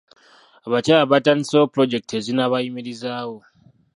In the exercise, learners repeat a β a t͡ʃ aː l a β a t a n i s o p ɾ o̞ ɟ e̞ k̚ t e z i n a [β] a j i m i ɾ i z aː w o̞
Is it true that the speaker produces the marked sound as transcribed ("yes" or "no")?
yes